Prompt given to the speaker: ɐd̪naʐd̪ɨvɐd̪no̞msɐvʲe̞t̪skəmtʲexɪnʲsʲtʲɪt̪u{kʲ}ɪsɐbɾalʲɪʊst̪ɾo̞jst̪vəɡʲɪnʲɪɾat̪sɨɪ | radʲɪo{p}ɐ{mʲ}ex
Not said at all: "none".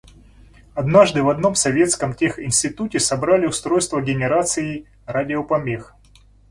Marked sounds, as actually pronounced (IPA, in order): tʲ, p, mʲ

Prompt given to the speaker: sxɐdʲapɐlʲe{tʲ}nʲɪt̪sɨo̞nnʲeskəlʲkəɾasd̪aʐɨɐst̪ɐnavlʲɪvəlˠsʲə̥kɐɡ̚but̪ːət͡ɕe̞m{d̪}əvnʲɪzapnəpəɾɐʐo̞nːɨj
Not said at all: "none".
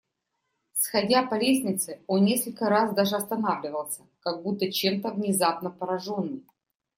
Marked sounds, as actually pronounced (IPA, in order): sʲ, t̪

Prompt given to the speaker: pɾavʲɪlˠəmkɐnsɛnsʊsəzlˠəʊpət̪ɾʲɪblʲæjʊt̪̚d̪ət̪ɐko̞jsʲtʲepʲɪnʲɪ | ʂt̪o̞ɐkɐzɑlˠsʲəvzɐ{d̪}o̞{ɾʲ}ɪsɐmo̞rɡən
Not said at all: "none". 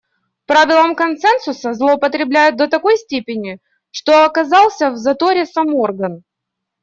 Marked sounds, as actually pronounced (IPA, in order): t̪, ɾʲ

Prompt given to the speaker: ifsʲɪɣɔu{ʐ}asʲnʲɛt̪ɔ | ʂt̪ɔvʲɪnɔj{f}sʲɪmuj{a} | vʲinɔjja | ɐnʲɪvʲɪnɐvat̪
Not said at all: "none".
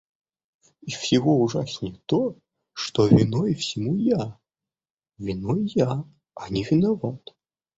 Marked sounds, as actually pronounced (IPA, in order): ʐ, f, a

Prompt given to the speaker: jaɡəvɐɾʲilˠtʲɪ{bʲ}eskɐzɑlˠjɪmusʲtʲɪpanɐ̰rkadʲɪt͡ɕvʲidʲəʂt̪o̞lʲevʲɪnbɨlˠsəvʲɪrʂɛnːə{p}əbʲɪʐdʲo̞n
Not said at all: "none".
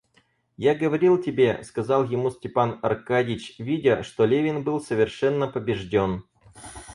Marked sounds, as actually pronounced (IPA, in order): bʲ, p

